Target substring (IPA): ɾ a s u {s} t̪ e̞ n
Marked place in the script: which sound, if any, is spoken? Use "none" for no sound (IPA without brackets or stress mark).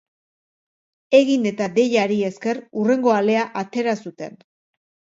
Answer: none